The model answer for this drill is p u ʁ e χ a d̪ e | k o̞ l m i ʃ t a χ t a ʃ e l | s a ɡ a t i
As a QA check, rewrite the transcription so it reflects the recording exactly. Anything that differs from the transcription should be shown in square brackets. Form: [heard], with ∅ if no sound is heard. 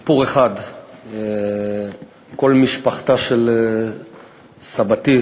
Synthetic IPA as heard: p u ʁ e χ a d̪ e | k o̞ l m i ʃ [p] a χ t a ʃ e l | s a [b] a t i